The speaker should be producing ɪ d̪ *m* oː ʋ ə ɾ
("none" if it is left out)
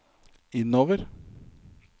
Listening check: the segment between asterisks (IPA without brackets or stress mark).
n